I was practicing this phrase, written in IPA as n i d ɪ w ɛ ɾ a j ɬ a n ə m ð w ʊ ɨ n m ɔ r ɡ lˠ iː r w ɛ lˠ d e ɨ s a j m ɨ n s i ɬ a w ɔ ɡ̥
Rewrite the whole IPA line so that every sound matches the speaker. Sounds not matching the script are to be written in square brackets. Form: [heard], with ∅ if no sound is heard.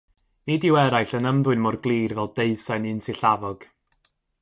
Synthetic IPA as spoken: n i d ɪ w ɛ ɾ a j ɬ [ə] n ə m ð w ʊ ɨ n m ɔ r ɡ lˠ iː r [v] ɛ lˠ d e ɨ s a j [n] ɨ n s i ɬ a [v] ɔ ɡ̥